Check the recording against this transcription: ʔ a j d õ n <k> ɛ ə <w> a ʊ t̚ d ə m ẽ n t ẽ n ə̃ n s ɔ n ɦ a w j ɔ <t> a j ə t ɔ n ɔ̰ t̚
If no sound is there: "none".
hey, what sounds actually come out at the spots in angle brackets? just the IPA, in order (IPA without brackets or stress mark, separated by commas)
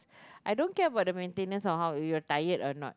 k, b, t